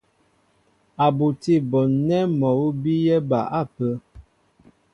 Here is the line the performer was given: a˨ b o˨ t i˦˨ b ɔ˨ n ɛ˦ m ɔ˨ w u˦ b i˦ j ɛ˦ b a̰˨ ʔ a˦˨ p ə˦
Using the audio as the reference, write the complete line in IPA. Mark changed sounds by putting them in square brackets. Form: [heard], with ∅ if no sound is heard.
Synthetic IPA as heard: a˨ b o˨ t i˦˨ b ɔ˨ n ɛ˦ m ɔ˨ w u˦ b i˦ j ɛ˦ b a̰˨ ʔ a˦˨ p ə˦